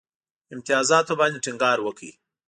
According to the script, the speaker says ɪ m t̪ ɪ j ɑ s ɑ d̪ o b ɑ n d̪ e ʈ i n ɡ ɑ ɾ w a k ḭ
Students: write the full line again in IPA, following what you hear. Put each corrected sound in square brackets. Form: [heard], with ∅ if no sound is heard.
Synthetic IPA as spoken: ɪ m t̪ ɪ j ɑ [z] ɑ [t̪] o b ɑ n d̪ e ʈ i [ŋ] ɡ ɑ ɾ w [ə] k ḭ